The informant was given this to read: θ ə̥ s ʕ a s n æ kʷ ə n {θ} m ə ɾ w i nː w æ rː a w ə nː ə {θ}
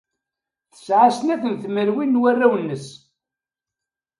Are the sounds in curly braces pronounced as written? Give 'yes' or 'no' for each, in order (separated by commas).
yes, no